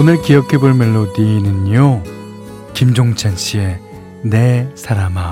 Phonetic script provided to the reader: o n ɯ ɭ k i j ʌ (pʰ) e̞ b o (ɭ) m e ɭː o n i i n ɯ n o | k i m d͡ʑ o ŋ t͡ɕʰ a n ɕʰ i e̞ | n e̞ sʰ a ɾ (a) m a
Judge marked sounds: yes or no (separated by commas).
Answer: no, yes, yes